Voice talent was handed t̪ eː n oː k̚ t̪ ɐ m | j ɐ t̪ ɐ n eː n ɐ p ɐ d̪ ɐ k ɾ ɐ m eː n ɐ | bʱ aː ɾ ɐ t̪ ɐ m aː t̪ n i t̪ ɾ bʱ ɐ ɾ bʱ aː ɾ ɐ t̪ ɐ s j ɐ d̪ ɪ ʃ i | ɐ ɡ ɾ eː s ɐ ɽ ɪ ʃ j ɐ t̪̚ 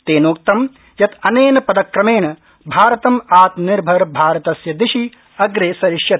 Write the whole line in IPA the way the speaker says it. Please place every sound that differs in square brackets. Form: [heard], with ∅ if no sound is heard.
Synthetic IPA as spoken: t̪ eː n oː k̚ t̪ ɐ m | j ɐ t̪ ɐ n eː n ɐ p ɐ d̪ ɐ k ɾ ɐ m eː n ɐ | bʱ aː ɾ ɐ t̪ ɐ m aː t̪ n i [∅] ɾ bʱ ɐ ɾ bʱ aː ɾ ɐ t̪ ɐ s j ɐ d̪ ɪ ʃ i | ɐ ɡ ɾ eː s ɐ [ɾ] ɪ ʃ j ɐ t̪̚

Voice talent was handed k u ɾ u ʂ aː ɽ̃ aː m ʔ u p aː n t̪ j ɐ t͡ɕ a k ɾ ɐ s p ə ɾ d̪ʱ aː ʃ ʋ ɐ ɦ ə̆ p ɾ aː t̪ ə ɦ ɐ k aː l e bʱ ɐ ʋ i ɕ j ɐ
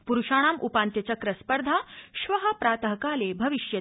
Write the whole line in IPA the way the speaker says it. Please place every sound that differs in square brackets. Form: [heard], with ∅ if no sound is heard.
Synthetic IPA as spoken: [p] u ɾ u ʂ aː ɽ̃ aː m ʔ u p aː n t̪ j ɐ t͡ɕ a k ɾ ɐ s p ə ɾ d̪ʱ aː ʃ ʋ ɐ ɦ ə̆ p ɾ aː t̪ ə ɦ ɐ k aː l e bʱ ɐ ʋ i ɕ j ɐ

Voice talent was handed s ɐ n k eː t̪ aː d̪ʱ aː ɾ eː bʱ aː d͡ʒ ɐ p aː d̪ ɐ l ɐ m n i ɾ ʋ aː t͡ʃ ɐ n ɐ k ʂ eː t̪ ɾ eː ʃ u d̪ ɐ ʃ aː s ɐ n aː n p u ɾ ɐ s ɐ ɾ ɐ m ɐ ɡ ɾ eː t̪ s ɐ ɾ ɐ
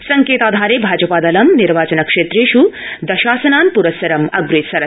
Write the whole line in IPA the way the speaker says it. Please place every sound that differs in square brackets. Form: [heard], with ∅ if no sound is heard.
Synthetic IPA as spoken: s ɐ [ŋ] k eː t̪ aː d̪ʱ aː ɾ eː bʱ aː d͡ʒ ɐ p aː d̪ ɐ l ɐ m n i ɾ ʋ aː t͡ʃ ɐ n ɐ k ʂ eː t̪ ɾ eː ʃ u d̪ ɐ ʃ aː s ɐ n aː n p u ɾ ɐ s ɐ ɾ ɐ m ɐ ɡ ɾ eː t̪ s ɐ ɾ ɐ

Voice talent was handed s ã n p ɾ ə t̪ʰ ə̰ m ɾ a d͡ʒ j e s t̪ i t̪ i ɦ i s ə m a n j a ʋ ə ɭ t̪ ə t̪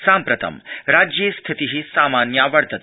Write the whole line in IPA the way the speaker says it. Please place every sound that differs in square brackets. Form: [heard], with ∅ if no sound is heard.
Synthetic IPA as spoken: s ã [m] p ɾ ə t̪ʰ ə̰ m ɾ a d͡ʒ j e s [t̪ʰ] i t̪ i ɦ i s [a] m a n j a ʋ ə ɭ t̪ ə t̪

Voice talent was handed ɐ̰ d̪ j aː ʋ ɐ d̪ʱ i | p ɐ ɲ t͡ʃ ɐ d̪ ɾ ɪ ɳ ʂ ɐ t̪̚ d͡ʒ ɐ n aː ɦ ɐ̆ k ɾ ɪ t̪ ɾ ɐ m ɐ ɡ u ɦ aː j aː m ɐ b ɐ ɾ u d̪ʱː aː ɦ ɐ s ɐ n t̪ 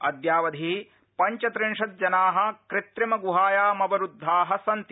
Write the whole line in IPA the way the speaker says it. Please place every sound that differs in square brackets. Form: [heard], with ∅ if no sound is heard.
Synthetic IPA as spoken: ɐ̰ d̪ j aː ʋ ɐ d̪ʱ i | p ɐ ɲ t͡ʃ ɐ [t̪] ɾ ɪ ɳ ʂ ɐ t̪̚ d͡ʒ ɐ n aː ɦ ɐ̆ k ɾ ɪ t̪ ɾ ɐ m ɐ ɡ u ɦ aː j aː m ɐ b ɐ ɾ u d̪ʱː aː ɦ ɐ s ɐ n t̪

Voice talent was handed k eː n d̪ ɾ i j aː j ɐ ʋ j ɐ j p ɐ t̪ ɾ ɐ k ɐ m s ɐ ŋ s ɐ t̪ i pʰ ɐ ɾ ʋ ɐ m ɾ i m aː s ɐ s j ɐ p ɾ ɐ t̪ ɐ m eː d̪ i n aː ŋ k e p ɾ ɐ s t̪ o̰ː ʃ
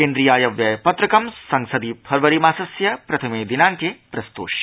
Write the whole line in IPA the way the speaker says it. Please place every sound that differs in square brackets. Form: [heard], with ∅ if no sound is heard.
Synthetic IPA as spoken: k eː n d̪ ɾ i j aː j ɐ ʋ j ɐ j p ɐ t̪ ɾ ɐ k ɐ m s ɐ ŋ s ɐ [d̪] i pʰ ɐ ɾ ʋ ɐ [∅] ɾ i m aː s ɐ s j ɐ p ɾ ɐ [t̪ʰ] ɐ m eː d̪ i n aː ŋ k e p ɾ ɐ s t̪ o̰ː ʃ

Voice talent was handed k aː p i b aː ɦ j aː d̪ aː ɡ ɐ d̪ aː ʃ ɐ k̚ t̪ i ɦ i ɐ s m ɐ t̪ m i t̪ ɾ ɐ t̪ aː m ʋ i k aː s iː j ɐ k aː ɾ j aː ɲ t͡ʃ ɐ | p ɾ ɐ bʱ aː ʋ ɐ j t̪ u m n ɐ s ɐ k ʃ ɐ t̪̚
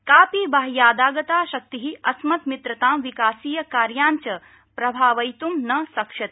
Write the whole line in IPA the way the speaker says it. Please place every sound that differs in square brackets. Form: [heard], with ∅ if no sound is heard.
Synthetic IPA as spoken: k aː p i b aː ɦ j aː d̪ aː ɡ ɐ [t̪] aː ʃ ɐ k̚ t̪ i ɦ i ɐ s m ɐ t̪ m i t̪ ɾ ɐ t̪ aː m ʋ i k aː s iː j ɐ k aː ɾ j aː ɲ t͡ʃ ɐ | p ɾ ɐ bʱ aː ʋ ɐ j t̪ u m n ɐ s ɐ k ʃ ɐ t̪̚

